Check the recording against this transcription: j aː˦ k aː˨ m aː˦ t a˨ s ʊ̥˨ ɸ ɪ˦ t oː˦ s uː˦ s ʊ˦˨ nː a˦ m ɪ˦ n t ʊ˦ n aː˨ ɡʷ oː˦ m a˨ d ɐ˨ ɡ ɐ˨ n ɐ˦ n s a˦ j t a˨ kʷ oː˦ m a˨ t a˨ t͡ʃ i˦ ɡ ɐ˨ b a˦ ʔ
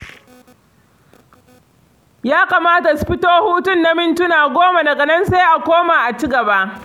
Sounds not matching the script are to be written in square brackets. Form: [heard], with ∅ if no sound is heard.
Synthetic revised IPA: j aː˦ k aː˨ m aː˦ t a˨ s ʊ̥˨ ɸ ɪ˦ t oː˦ [h] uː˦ [t] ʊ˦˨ nː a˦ m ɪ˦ n t ʊ˦ n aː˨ ɡʷ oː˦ m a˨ d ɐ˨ ɡ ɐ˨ n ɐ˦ n s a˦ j [ʔ] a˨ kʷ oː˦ m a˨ [ʔ] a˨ t͡ʃ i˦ ɡ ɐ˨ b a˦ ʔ

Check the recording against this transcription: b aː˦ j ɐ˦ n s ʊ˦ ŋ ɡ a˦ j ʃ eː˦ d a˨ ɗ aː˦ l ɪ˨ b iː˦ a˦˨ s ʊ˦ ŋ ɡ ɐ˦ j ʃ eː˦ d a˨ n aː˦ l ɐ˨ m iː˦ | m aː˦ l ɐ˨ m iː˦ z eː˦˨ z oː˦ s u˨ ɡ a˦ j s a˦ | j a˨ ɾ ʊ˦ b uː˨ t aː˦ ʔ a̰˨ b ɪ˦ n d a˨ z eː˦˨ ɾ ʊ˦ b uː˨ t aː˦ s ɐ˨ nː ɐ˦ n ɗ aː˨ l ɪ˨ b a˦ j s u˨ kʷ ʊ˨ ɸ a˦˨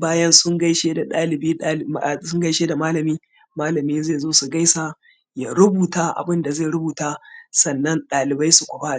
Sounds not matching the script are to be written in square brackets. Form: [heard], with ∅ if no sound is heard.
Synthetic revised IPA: b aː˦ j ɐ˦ n s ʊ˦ ŋ ɡ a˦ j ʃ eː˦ d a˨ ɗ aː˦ l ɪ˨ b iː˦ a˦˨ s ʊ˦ ŋ ɡ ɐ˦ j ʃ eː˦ d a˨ [m] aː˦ l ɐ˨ m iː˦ | m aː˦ l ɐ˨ m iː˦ z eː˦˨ z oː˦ s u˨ ɡ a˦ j s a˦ | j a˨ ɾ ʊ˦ b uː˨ t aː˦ ʔ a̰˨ b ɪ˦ n d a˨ z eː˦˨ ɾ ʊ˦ b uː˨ t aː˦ s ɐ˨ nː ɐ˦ n ɗ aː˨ l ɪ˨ b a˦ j s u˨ kʷ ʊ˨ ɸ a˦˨

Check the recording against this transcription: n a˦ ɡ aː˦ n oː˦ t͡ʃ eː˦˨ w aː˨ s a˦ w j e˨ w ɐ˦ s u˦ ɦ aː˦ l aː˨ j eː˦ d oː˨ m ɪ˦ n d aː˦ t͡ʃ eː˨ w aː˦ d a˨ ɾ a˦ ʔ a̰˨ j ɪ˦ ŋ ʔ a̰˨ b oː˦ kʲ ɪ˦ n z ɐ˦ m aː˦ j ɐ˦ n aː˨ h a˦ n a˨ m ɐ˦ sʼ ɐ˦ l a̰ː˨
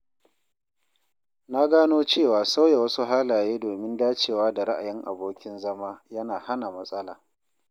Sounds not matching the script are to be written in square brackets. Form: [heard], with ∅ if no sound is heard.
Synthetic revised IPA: n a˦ ɡ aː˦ n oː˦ t͡ʃ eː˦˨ w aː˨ s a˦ w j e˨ w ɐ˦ s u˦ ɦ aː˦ l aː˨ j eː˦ d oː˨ m ɪ˦ n d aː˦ t͡ʃ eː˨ w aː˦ d a˨ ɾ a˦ ʔ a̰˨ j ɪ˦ ŋ ʔ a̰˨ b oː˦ kʲ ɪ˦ n z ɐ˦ m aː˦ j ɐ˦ n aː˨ h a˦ n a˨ m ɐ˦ sʼ ɐ˦ l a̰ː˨

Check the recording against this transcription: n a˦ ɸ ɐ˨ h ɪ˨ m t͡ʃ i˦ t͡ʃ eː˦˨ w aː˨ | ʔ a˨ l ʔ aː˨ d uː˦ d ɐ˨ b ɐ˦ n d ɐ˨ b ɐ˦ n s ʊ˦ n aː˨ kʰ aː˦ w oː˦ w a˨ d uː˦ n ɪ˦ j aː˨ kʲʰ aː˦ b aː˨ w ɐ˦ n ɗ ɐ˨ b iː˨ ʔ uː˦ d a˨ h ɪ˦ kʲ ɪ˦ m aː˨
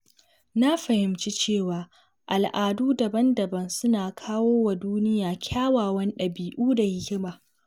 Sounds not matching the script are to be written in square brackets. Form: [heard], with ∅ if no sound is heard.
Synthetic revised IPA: n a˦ ɸ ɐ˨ h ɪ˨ m t͡ʃ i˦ t͡ʃ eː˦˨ w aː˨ | ʔ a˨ l ʔ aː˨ d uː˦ d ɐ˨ b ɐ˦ n d ɐ˨ b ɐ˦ n s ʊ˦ n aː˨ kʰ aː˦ w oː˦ w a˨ d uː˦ n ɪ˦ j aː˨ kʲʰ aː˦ [w] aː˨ w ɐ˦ n ɗ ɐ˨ b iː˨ ʔ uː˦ d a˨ h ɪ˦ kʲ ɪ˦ m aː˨

